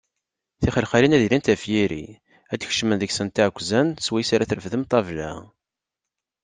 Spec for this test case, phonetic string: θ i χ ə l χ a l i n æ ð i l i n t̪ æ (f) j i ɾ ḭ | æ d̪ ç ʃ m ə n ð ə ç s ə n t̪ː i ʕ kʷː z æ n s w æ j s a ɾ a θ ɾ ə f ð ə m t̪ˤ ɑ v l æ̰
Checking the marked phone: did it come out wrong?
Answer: no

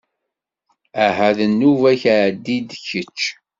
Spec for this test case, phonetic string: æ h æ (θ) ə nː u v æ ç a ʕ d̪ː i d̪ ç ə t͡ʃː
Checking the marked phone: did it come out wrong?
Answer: yes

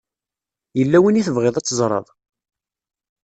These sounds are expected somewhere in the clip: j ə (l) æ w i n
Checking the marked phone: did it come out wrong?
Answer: yes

